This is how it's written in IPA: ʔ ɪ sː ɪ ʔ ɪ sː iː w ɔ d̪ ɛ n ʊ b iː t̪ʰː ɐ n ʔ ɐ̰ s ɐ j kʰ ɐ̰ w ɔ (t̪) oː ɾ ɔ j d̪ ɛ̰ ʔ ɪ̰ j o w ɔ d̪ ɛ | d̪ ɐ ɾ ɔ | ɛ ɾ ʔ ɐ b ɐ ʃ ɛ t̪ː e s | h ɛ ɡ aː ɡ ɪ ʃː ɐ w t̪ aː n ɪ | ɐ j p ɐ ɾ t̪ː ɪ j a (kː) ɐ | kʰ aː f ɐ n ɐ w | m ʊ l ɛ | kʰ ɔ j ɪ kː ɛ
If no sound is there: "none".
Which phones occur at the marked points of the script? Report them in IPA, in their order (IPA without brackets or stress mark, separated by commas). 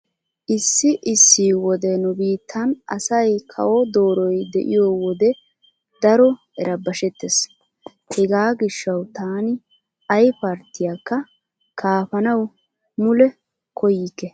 d̪, kː